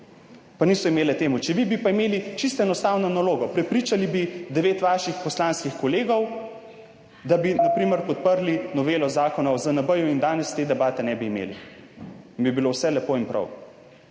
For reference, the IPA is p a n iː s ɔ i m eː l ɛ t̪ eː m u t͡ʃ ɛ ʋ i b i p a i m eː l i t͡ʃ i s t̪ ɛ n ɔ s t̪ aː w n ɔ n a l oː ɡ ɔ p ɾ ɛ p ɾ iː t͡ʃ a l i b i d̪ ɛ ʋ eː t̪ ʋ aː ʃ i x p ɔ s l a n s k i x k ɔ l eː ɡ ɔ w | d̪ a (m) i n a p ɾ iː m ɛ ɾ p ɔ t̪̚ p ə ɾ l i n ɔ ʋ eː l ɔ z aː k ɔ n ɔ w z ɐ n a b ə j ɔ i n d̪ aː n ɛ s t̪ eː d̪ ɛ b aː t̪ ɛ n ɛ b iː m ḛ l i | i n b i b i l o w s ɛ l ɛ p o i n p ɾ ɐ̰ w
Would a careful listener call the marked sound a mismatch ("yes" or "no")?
yes